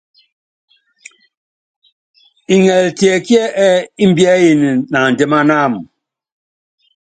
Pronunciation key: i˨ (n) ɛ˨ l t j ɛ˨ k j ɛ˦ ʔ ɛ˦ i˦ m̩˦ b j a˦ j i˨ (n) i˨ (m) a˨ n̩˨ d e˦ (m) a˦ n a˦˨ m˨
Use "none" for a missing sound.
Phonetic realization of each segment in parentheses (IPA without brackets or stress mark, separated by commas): ŋ, n, n, m